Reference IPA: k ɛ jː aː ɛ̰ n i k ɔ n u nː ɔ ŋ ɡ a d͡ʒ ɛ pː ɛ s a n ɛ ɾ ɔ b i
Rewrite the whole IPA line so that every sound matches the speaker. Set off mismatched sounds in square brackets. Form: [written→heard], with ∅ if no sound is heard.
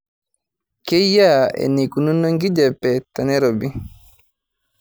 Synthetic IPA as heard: k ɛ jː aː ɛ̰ n i k [ɔ→u] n u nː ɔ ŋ ɡ [a→i] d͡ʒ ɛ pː ɛ [s→t] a n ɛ ɾ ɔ b i